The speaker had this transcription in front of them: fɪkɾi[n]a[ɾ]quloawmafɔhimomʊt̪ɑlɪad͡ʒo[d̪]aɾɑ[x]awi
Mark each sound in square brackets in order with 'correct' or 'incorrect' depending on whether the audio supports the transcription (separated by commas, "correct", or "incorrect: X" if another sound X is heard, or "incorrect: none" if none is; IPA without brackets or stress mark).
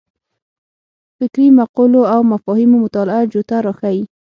incorrect: m, incorrect: none, incorrect: t̪, correct